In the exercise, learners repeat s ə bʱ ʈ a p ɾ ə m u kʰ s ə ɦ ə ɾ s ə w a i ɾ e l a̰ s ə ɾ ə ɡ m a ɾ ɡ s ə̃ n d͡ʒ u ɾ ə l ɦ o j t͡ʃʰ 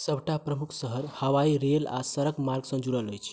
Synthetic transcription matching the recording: s ə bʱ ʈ a p ɾ ə m u kʰ s ə ɦ ə ɾ h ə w a i ɾ e l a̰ s ə ɾ ə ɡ m a ɾ ɡ s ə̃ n d͡ʒ u ɾ ə l ɦ o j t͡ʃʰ